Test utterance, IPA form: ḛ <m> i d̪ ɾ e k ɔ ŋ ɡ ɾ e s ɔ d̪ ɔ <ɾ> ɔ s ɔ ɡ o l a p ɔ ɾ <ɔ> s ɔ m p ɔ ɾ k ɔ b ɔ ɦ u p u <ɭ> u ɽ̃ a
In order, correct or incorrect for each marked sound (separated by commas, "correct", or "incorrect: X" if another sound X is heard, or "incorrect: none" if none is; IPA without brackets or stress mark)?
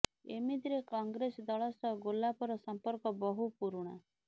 correct, incorrect: ɭ, correct, incorrect: ɾ